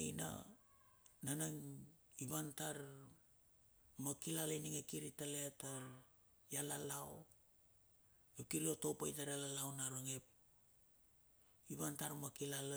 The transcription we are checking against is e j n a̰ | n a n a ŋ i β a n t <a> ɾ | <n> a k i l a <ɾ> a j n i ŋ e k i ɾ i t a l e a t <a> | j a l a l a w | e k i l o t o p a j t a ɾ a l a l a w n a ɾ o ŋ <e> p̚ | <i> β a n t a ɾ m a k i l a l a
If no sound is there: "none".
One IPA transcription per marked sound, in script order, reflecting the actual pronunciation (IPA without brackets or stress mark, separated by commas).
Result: a, m, l, a, e, i